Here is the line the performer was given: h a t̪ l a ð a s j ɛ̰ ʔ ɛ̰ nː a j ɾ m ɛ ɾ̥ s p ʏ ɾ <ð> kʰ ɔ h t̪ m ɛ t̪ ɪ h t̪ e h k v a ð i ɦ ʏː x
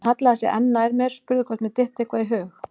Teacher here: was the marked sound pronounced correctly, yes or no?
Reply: yes